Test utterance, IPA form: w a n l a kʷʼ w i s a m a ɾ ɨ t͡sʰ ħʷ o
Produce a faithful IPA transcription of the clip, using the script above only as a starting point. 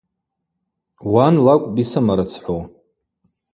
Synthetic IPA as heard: w a n l a kʷʼ b i s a m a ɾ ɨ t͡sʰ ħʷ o